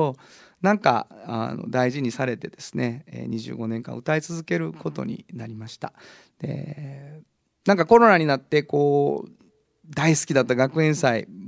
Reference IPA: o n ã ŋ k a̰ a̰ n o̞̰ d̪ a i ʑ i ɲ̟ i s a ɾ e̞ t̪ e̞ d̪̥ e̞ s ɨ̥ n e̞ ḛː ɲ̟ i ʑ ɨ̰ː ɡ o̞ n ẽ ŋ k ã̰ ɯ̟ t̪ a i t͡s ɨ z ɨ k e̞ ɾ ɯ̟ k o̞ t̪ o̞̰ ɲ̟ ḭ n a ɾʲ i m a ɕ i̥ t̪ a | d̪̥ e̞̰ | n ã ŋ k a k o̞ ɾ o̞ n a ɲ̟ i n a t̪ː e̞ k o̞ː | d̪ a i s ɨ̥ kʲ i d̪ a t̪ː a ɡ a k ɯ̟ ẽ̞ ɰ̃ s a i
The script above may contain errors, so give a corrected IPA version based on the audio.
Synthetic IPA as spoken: o n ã ŋ k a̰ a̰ n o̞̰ d̪ a i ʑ i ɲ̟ i s a ɾ e̞ t̪ e̞ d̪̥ e̞ s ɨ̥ n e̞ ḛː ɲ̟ i ʑ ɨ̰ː ɡ o̞ n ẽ ŋ k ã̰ ɯ̟ t̪ a i t͡s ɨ z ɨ k e̞ ɾ ɯ̟ k o̞ t̪ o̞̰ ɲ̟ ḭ n a ɾʲ i m a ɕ i̥ t̪ a | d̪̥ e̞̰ | n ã ŋ k a k o̞ ɾ o̞ n a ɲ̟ i n a t̪ː e̞ k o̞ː | d̪ a i s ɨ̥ kʲ i d̪ a t̪ː a ɡ a k ɯ̟ ẽ̞ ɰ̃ s a i